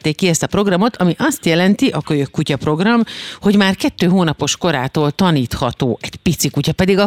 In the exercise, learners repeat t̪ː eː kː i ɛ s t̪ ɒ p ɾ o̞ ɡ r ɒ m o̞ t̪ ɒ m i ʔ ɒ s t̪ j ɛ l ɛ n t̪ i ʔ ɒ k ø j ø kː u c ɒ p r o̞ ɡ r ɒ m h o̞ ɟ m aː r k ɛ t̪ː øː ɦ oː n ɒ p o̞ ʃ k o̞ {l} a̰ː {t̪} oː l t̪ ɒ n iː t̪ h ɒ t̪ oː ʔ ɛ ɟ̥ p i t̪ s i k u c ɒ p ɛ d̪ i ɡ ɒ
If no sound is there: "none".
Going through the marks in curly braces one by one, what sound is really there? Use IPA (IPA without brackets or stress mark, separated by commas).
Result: ɾ, t̪